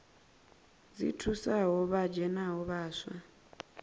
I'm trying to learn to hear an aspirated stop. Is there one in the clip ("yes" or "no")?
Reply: yes